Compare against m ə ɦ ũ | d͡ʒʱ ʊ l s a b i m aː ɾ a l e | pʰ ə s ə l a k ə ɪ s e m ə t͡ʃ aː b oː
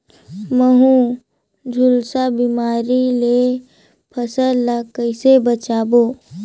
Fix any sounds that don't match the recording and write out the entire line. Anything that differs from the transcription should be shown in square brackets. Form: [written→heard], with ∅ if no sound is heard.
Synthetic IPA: m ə ɦ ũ | d͡ʒʱ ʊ l s a b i m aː ɾ [a→i] l e | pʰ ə s ə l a k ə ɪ s e [m→b] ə t͡ʃ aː b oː